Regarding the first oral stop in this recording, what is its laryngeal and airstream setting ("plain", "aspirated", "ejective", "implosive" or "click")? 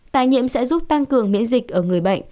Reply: plain